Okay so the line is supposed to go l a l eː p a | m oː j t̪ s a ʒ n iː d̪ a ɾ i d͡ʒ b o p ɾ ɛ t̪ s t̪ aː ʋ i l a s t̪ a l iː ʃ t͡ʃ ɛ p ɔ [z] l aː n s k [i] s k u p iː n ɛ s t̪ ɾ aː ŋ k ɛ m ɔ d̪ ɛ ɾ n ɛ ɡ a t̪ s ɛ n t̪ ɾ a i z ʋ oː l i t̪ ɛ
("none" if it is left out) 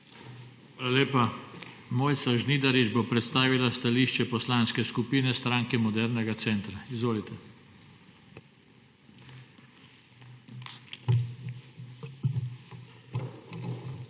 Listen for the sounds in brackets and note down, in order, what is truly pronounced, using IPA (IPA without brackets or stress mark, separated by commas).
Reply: s, ɛ